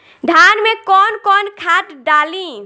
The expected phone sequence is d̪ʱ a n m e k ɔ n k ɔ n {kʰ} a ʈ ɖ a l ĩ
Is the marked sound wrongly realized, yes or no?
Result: no